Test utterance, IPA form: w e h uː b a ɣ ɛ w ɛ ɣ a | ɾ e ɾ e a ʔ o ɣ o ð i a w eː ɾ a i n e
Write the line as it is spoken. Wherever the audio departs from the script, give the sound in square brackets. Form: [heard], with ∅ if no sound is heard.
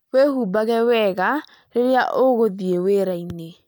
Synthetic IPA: w e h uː b a ɣ ɛ w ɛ ɣ a | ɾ e ɾ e a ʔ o ɣ o ð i [e] w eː ɾ a i n e